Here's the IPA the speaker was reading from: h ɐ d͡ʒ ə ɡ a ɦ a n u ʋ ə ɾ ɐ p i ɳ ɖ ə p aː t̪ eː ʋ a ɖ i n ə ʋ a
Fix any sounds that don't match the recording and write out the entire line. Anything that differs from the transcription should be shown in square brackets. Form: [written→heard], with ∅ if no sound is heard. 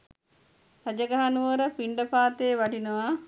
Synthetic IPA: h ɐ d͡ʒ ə ɡ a ɦ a n u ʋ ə ɾ [ɐ→ə] p i ɳ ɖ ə p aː t̪ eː ʋ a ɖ i n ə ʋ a